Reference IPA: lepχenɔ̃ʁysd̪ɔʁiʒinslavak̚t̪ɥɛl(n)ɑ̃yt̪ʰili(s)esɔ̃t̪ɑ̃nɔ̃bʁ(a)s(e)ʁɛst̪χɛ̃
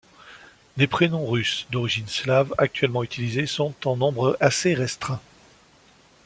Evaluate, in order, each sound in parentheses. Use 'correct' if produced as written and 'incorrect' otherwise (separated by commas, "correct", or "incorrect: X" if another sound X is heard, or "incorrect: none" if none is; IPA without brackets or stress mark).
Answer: incorrect: m, incorrect: z, correct, correct